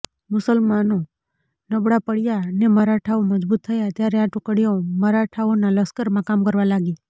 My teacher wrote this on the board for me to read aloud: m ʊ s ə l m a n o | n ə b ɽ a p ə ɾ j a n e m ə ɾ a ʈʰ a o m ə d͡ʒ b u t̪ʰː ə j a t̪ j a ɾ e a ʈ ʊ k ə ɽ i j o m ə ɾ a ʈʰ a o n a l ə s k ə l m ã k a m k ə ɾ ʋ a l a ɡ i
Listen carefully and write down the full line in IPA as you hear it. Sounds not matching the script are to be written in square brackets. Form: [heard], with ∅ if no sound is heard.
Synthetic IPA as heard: m ʊ s ə l m a n o | n ə b ɽ a p ə [ɽ] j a n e m ə ɾ a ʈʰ a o m ə d͡ʒ b u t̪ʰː ə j a t̪ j a ɾ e a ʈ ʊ k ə ɽ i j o m ə ɾ a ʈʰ a o n a l ə s k ə [ɾ] m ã k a m k ə ɾ ʋ a l a ɡ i